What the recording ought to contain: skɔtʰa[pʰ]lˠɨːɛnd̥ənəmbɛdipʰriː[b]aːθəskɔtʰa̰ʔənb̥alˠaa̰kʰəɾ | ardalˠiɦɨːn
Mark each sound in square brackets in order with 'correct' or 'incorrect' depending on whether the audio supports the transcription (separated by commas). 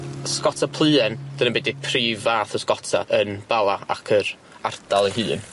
correct, incorrect